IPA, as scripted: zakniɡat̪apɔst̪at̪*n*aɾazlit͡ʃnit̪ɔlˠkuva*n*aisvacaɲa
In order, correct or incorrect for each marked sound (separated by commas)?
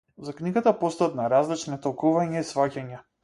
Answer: correct, incorrect